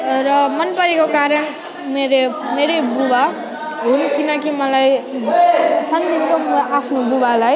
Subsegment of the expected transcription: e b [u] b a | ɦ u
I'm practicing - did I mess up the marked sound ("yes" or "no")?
no